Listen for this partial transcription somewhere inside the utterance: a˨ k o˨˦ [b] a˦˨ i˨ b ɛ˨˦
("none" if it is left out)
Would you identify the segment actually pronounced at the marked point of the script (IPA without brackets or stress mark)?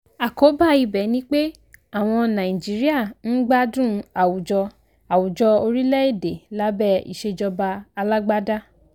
b